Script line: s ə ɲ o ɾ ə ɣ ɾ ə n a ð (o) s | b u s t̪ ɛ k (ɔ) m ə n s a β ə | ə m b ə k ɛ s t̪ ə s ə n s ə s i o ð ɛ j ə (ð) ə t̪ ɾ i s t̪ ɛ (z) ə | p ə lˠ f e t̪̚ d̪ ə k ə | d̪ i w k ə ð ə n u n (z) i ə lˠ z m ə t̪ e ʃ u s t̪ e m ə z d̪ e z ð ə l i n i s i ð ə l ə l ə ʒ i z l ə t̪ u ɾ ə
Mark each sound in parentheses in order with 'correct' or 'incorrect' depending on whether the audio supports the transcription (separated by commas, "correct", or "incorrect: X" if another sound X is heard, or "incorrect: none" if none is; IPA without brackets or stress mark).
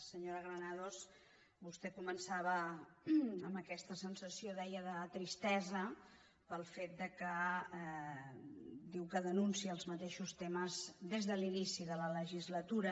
correct, incorrect: u, correct, correct, incorrect: s